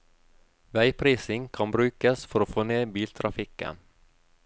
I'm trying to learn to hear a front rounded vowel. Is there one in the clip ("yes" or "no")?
yes